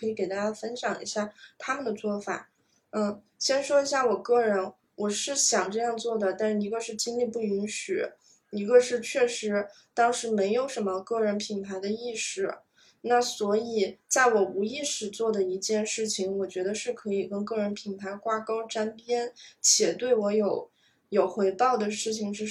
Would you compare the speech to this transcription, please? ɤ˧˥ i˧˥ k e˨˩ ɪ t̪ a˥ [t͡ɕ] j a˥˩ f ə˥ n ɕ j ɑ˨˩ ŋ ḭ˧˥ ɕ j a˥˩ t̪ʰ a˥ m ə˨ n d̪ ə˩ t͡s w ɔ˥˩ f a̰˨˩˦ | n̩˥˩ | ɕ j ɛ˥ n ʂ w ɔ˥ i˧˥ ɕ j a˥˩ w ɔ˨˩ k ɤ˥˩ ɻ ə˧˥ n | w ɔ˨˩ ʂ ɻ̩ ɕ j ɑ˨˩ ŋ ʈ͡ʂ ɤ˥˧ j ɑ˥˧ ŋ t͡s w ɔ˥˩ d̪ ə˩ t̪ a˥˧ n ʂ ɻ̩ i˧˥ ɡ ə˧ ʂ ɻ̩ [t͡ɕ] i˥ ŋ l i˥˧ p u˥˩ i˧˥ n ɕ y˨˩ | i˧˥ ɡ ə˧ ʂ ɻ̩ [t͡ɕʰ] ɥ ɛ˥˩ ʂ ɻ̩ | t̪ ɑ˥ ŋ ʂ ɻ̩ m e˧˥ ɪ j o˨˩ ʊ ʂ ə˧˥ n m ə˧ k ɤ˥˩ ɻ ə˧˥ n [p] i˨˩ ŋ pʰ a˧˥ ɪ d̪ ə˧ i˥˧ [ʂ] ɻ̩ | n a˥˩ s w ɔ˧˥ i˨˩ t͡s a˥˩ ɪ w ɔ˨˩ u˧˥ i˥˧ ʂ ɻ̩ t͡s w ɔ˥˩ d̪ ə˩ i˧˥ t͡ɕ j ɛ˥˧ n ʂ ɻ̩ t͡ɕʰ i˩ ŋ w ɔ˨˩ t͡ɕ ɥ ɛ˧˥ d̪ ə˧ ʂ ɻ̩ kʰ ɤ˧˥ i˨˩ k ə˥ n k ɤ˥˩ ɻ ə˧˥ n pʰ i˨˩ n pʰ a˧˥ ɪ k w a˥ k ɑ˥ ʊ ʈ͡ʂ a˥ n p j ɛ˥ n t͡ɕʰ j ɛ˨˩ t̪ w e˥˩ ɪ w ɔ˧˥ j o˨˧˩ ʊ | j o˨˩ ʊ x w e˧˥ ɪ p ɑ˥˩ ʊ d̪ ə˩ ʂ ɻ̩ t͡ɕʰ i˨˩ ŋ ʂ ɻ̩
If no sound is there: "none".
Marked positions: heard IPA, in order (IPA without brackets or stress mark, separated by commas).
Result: t͡ɕ, t͡ɕ, t͡ɕʰ, pʰ, ʂ